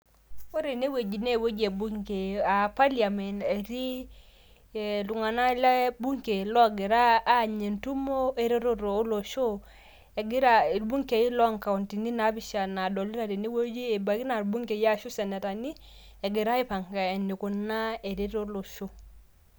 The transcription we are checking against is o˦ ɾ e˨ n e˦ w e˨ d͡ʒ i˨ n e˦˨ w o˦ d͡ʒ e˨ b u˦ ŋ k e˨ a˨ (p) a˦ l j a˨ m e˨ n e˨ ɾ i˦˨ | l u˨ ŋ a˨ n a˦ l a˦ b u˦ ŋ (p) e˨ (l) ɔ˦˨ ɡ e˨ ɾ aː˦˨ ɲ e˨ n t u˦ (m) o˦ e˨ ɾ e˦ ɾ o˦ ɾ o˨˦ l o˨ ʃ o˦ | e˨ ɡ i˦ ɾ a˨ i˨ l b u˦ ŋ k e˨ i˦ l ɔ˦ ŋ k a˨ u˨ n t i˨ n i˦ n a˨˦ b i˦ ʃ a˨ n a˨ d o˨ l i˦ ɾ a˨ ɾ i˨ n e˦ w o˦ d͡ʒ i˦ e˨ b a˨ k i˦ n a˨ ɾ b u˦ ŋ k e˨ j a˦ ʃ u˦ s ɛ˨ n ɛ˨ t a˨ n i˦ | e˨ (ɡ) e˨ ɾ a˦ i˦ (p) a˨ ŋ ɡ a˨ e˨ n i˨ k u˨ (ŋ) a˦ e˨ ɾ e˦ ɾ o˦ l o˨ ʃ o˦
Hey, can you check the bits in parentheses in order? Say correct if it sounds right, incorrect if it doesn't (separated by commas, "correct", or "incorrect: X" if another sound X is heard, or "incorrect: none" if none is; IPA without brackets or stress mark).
correct, incorrect: k, correct, correct, correct, correct, incorrect: n